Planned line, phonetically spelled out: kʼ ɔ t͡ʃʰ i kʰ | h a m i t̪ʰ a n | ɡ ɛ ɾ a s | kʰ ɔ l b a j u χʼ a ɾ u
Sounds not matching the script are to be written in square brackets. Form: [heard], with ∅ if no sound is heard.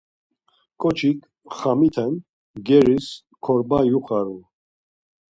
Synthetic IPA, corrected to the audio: kʼ ɔ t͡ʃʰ i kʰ | [χ] a m i t̪ʰ [ɛ] n | ɡ ɛ ɾ [i] s | kʰ ɔ [ɾ] b a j u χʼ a ɾ u